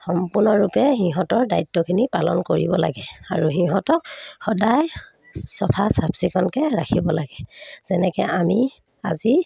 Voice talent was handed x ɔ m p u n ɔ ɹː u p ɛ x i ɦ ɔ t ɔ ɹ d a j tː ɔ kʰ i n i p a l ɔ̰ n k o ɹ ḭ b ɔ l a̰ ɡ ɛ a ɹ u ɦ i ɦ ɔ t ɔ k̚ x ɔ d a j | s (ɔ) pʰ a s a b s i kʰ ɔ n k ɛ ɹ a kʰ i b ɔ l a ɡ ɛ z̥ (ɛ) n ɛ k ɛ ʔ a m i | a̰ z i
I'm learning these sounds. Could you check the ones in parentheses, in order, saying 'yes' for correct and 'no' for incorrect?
yes, yes

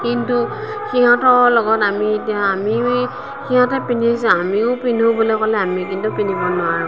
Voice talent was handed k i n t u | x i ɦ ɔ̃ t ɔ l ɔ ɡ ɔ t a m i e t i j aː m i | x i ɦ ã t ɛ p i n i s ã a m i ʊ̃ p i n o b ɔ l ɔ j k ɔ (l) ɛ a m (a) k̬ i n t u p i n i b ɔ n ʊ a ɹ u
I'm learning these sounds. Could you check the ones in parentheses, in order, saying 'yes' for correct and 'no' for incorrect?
yes, no

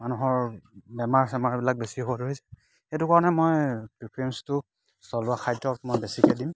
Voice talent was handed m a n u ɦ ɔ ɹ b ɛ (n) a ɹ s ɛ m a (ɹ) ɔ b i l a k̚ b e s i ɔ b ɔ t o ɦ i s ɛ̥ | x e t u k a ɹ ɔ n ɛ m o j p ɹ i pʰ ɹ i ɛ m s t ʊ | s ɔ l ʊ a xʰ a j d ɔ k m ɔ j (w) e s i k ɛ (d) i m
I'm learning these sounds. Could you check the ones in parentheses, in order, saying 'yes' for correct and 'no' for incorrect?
no, yes, no, yes

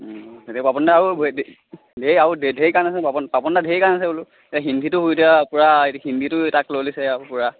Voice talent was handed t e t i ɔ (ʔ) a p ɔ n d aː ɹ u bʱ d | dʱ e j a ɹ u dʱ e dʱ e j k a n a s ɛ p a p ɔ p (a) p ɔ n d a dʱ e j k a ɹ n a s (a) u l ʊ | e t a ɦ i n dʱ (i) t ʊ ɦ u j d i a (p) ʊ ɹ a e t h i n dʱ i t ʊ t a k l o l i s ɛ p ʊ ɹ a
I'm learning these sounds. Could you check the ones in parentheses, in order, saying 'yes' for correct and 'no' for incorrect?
no, yes, no, yes, yes

